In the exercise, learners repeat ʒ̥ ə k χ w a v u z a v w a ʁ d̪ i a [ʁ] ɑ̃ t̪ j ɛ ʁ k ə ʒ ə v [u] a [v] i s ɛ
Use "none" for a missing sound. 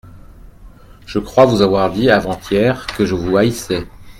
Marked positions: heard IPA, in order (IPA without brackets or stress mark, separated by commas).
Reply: v, u, none